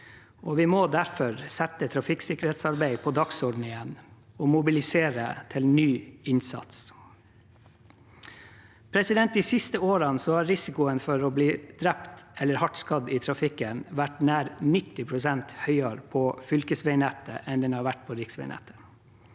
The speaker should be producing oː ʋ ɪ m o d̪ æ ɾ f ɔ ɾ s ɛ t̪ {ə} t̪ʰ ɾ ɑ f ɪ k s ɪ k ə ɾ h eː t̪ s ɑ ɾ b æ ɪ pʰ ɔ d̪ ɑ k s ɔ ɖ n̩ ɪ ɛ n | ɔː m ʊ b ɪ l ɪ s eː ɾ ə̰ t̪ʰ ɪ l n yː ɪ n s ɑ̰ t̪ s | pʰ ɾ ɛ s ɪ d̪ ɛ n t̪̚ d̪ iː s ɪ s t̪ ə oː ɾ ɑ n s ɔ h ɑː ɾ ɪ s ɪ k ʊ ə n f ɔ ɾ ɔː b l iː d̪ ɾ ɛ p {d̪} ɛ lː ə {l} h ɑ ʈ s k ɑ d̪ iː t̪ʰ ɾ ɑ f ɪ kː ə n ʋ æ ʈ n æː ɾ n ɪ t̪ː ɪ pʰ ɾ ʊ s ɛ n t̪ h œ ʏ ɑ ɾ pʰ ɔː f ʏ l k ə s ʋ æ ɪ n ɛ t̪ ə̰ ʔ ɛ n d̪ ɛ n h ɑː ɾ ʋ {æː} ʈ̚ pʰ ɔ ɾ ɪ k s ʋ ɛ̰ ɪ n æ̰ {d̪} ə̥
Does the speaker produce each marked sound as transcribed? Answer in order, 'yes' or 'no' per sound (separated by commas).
yes, no, no, no, no